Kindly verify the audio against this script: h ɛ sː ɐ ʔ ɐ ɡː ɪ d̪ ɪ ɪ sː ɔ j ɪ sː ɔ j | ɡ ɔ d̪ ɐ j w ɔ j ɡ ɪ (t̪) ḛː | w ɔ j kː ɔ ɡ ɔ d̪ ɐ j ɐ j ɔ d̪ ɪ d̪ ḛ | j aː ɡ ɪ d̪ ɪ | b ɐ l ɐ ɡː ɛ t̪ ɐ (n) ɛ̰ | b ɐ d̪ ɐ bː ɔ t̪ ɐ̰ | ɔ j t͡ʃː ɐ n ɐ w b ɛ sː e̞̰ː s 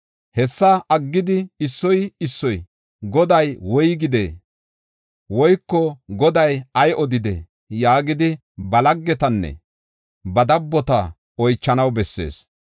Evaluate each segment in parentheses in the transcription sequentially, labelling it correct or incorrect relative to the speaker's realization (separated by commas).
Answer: incorrect, incorrect